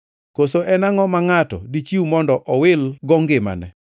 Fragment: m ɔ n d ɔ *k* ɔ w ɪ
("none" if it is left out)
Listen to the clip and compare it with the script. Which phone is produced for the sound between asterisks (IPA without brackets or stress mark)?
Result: ʔ